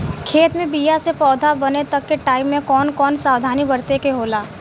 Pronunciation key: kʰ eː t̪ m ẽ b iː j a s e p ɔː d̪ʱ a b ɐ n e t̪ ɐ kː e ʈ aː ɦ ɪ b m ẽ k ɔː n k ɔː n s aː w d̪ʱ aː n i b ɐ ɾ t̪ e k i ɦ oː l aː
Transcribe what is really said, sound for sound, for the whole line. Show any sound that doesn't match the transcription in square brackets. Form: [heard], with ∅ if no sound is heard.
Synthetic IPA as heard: kʰ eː t̪ m ẽ b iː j a s e p ɔː d̪ʱ a b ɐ n e t̪ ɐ kː e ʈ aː [∅] ɪ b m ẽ k ɔː n k ɔː n s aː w d̪ʱ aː n i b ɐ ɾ t̪ e k [e] ɦ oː l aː